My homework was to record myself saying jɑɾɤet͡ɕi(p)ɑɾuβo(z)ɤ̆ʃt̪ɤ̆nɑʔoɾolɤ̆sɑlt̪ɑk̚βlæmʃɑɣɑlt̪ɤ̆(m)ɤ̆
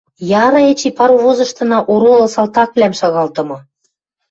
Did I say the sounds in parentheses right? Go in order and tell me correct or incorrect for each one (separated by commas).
correct, correct, correct